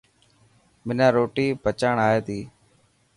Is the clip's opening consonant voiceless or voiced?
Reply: voiced